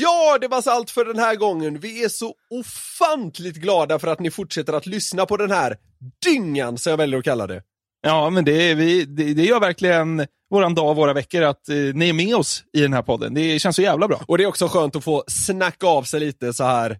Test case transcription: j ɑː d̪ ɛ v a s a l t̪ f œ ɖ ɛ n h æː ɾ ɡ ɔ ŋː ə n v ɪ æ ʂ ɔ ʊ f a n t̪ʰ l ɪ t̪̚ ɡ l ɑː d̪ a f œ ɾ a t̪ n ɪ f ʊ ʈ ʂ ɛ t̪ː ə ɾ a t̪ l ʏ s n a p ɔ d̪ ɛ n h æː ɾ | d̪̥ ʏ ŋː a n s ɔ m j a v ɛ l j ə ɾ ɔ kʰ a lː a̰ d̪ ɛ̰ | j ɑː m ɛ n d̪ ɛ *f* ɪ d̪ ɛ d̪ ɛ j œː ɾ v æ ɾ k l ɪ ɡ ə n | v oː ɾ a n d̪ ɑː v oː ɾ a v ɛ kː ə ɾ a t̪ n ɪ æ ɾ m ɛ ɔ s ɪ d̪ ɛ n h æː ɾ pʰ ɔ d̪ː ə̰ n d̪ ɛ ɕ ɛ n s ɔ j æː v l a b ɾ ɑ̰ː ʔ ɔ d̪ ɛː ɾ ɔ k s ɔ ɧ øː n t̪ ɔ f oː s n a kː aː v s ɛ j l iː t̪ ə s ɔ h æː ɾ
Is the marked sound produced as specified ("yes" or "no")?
no